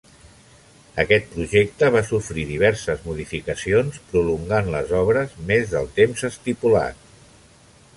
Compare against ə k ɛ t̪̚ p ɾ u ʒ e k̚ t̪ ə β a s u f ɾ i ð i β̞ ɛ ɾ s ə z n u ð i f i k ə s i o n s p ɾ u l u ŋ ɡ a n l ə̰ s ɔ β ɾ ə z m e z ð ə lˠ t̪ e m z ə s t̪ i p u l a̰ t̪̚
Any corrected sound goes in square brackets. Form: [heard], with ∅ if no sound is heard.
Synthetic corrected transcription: ə k ɛ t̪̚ p ɾ u ʒ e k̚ t̪ ə β a s u f ɾ i ð i β̞ ɛ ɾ s ə z [m] u ð i f i k ə s i o n s p ɾ u l u ŋ ɡ a n l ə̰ [z] ɔ β ɾ ə z m e z ð ə lˠ t̪ e m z ə s t̪ i p u l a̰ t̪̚